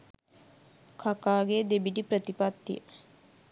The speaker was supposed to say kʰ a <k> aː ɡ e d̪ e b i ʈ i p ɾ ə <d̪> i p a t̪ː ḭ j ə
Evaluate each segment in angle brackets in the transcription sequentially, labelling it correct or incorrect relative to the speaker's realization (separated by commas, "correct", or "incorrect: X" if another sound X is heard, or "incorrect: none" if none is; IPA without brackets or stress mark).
correct, incorrect: t̪